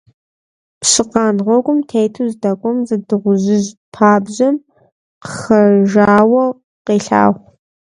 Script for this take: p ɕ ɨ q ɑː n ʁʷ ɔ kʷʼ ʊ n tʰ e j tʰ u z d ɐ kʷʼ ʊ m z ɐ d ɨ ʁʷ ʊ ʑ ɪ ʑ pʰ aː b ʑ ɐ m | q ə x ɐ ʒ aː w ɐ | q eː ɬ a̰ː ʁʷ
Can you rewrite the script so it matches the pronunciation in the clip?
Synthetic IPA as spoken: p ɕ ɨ q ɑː n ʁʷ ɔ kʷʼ ʊ m tʰ e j tʰ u z d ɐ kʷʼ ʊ m z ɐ d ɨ ʁʷ ʊ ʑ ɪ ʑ pʰ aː b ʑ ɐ m | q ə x ɐ ʒ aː w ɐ | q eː ɬ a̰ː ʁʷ